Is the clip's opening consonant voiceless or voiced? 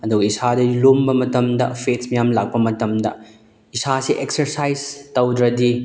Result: voiced